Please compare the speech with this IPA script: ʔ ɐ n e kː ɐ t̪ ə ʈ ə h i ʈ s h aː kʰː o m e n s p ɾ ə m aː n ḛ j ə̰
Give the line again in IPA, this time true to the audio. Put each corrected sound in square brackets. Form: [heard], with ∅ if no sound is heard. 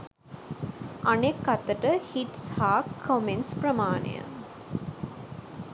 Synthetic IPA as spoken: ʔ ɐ n e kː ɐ t̪ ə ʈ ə h i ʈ s h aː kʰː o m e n s p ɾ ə m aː n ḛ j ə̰